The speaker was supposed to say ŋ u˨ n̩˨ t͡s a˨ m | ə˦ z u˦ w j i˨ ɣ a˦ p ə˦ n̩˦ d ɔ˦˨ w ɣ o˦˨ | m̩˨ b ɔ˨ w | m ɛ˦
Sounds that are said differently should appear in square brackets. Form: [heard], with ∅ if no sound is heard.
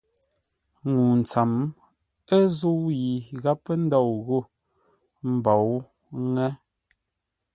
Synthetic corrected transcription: ŋ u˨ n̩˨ t͡s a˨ m | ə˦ z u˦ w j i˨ ɣ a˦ p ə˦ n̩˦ d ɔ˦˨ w ɣ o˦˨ | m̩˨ b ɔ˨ w | [ŋ] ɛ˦

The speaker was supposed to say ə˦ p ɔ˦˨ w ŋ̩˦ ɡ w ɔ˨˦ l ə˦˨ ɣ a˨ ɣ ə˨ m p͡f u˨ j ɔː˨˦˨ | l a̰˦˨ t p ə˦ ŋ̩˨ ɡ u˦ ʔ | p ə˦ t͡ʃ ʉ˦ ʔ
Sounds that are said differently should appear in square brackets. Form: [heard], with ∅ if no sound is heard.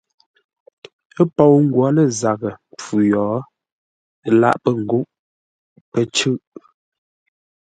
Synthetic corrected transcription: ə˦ p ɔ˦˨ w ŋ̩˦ ɡ w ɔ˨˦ l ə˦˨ [z] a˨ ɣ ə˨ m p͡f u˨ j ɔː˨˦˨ | l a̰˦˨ [ʔ] p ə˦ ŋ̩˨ ɡ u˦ ʔ | p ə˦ t͡ʃ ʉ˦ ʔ

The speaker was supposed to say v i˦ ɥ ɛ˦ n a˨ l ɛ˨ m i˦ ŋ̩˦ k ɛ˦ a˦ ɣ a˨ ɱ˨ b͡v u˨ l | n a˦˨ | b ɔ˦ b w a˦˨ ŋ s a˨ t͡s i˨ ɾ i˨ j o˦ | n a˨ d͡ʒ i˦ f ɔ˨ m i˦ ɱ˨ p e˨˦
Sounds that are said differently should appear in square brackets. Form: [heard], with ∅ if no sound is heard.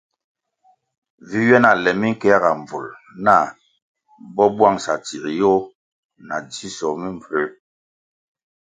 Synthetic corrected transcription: v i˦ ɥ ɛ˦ n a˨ l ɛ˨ m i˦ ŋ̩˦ k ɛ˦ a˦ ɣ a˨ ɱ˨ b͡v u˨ l | n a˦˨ | b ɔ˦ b w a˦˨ ŋ s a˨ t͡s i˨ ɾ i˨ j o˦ | n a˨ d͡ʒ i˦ [s] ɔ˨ m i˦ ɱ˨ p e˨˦

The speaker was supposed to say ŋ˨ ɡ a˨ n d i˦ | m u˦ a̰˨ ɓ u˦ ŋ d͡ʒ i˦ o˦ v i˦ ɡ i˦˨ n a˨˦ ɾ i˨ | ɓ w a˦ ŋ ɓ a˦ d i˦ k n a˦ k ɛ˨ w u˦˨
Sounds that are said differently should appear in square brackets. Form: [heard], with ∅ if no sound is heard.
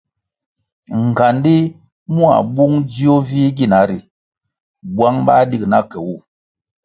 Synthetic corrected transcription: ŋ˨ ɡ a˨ n d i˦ | m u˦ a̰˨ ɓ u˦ ŋ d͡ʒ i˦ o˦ v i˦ ɡ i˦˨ n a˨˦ ɾ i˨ | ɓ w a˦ ŋ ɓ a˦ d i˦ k n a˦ k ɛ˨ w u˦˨

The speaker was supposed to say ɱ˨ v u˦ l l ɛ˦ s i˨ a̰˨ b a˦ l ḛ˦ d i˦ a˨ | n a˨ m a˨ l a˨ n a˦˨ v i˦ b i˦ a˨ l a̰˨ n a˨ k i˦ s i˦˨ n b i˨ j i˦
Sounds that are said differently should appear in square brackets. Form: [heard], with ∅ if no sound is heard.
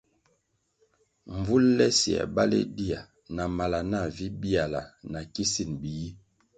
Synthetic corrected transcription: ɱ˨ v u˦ l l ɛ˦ s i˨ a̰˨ b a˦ l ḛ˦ d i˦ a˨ | n a˨ m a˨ l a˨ n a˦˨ v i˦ b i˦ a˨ l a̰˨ n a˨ k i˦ s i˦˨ n b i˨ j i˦

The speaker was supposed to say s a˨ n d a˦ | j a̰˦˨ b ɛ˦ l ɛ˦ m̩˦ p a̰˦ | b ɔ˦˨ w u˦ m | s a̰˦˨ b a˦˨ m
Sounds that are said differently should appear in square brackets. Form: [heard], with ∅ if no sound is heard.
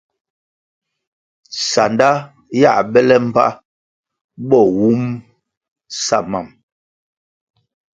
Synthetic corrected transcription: s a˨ n d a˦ | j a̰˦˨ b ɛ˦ l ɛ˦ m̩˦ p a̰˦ | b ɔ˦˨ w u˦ m | s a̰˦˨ [m] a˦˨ m

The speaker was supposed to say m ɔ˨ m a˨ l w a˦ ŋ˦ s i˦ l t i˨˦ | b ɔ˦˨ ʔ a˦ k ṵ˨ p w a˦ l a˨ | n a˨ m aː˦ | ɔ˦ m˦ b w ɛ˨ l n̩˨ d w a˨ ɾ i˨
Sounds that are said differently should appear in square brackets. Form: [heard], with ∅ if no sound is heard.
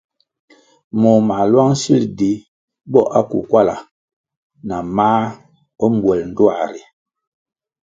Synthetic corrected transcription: m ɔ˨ m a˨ l w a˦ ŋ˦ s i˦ l [d] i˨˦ | b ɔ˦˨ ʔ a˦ k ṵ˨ [k] w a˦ l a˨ | n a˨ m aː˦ | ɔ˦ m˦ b w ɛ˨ l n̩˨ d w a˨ ɾ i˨

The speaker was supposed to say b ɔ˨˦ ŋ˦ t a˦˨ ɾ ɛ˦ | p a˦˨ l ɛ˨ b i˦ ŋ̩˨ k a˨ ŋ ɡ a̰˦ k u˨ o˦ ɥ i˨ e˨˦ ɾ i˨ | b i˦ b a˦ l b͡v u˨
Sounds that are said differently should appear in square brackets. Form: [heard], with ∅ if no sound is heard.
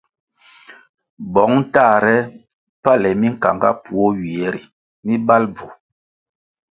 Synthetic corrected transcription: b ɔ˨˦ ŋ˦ t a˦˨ ɾ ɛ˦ | p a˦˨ l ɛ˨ [m] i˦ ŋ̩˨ k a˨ ŋ ɡ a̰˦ [p] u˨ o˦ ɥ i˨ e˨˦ ɾ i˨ | [m] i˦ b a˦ l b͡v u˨

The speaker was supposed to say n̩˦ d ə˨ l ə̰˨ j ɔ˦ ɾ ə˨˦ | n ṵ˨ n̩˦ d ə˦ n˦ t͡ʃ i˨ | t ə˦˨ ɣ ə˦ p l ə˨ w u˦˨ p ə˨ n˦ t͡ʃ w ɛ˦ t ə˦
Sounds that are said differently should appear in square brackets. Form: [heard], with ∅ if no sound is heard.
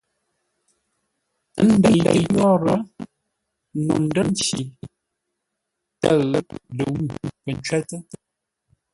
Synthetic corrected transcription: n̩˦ d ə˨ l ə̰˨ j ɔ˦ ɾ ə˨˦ | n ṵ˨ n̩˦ d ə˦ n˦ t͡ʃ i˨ | t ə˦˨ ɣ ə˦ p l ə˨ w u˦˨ p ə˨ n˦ t͡ʃ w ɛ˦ t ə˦

